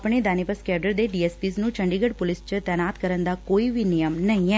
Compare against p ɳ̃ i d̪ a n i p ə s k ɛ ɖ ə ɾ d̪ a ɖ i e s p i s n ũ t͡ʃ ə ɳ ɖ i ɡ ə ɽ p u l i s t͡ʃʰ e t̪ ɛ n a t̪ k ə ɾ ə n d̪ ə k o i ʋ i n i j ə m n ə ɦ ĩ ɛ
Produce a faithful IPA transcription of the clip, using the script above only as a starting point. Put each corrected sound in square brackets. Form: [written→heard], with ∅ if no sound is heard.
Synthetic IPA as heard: p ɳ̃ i d̪ a n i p ə s k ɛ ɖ ə ɾ d̪ [a→e] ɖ i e s p i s n ũ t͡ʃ ə ɳ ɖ i ɡ ə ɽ p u l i s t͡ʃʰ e t̪ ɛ n a t̪ k ə ɾ ə n d̪ [ə→a] k o i ʋ i n i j ə m n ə ɦ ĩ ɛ